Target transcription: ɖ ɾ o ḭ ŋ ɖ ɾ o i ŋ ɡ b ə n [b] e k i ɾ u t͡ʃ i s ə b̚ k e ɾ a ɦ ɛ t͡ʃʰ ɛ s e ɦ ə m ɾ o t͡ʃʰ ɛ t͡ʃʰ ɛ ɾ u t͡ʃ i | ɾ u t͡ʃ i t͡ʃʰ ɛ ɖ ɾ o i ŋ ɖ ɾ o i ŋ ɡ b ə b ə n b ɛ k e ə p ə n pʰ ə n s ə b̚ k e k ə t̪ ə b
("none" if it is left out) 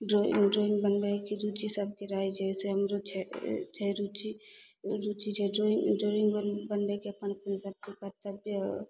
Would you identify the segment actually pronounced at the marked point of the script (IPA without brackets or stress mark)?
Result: b